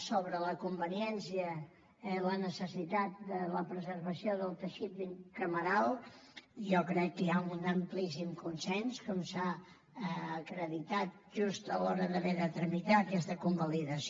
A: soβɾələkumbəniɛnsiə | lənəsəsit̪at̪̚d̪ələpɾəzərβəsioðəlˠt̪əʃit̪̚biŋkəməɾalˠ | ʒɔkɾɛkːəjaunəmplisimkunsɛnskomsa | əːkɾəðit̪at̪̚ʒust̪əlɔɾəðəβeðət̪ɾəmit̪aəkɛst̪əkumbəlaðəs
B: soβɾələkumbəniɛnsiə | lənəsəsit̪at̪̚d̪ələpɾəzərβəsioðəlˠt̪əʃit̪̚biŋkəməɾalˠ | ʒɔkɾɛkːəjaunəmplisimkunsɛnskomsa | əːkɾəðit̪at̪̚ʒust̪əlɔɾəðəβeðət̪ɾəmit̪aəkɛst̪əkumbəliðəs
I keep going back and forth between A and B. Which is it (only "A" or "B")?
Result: B